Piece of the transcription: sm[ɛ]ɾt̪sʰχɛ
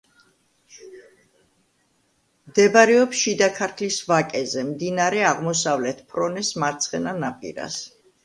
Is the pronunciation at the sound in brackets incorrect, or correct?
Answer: incorrect: a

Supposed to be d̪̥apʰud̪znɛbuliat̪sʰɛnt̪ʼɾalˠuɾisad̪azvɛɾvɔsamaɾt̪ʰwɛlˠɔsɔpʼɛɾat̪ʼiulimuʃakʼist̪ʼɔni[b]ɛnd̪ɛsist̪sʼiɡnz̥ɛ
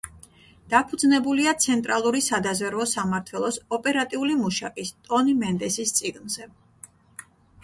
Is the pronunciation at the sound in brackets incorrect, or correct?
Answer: incorrect: m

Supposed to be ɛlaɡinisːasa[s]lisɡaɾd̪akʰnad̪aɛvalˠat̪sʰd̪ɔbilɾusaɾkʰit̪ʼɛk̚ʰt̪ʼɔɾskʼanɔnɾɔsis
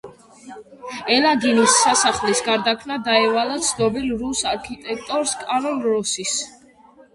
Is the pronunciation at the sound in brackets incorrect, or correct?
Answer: incorrect: χ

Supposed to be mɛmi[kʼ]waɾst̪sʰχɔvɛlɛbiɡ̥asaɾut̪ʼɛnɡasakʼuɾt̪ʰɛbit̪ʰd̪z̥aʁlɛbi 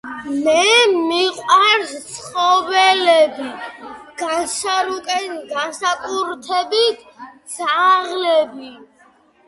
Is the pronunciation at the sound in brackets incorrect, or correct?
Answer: incorrect: qʼ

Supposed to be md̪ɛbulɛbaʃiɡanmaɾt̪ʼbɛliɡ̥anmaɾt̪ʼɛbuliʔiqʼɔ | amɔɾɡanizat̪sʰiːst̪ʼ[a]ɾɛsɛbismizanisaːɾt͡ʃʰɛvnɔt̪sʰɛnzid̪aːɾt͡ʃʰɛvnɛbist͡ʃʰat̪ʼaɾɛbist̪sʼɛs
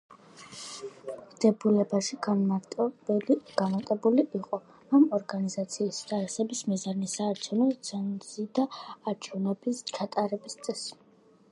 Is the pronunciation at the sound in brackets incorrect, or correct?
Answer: correct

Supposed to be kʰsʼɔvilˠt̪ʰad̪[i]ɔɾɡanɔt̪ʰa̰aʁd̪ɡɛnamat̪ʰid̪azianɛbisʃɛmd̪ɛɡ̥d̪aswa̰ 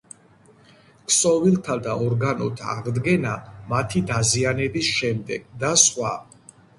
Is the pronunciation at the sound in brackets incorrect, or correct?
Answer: incorrect: a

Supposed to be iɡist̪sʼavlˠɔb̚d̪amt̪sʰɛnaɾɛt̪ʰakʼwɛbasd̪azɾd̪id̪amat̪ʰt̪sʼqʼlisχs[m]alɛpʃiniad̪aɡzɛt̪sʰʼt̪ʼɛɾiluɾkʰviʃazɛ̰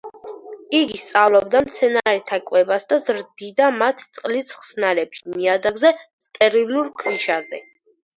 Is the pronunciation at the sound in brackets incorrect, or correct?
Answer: incorrect: n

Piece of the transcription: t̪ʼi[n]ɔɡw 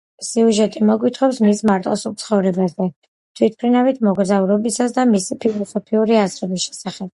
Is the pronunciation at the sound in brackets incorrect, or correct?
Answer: incorrect: m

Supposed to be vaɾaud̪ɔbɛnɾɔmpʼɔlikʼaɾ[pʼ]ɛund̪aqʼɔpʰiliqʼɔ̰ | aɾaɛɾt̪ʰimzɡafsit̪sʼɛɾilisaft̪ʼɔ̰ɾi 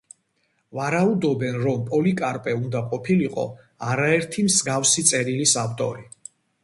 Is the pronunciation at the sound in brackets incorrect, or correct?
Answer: correct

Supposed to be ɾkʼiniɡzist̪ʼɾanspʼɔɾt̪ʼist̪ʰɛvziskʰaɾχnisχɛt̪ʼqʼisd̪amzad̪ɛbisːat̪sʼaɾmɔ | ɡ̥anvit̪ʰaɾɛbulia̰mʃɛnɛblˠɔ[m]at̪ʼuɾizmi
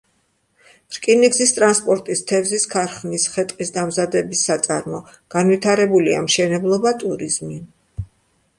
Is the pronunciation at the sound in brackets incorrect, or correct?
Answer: incorrect: b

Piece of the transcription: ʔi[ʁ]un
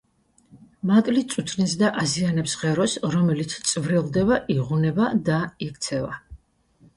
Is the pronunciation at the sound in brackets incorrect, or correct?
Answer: correct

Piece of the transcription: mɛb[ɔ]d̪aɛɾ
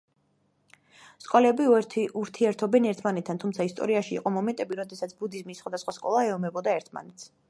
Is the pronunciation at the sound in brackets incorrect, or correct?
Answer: correct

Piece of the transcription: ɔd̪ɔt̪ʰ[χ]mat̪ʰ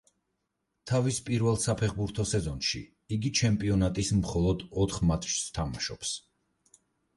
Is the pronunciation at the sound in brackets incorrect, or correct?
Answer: correct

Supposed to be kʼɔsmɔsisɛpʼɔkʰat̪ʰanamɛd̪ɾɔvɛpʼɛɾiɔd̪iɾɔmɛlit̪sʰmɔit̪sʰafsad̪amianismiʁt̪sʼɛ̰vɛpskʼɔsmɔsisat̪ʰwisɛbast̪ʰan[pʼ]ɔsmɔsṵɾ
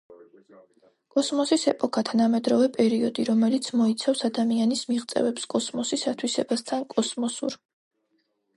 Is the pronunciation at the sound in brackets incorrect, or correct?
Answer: incorrect: kʼ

